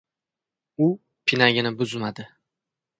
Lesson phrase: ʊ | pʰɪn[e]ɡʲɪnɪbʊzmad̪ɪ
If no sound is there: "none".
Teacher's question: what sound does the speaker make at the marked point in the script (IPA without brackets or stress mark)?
a